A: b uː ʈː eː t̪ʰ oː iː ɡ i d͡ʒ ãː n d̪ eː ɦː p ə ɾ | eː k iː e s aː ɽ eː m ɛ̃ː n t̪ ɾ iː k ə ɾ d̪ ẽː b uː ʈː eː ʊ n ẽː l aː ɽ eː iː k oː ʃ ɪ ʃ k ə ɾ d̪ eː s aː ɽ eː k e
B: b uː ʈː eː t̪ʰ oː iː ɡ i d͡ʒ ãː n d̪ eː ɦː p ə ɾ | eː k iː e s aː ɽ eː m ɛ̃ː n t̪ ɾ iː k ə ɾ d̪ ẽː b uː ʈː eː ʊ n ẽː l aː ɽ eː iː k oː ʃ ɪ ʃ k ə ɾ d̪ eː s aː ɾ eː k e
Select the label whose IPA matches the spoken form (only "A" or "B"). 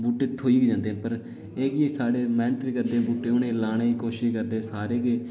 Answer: B